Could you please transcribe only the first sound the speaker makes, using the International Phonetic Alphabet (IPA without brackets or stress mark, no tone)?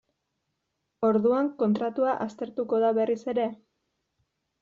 o̞